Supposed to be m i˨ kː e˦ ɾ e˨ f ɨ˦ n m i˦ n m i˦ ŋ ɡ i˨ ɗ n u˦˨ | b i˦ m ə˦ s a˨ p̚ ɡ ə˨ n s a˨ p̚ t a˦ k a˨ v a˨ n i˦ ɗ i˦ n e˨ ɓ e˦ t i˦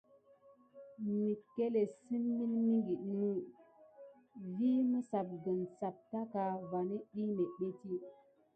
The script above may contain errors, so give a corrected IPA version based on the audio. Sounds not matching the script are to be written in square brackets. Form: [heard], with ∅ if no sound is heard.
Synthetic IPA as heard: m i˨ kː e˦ [l] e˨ [s] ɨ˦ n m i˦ n m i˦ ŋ ɡ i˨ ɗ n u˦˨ | [v] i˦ m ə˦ s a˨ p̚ ɡ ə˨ n s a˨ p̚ t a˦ k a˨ v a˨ n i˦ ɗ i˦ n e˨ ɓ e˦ t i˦